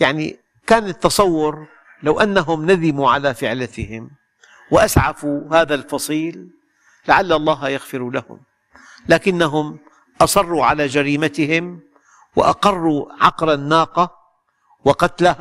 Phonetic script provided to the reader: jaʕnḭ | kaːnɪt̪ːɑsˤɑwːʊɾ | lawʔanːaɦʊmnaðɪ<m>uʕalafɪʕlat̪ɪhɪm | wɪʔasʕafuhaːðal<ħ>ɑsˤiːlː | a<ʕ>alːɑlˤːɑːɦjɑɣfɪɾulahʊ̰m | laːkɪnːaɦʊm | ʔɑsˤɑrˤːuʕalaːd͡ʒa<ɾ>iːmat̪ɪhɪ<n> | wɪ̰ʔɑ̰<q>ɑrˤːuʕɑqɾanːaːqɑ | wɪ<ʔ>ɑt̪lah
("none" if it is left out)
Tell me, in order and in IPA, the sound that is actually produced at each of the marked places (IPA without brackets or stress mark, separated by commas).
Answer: m, f, ʕ, ɾ, m, q, q